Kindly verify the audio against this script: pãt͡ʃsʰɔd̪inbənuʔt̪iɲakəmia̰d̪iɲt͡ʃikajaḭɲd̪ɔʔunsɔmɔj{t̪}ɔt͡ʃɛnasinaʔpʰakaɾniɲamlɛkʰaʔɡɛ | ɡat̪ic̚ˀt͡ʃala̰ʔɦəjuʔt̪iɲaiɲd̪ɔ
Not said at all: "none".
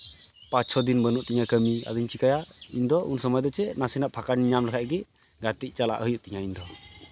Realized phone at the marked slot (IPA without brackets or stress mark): d̪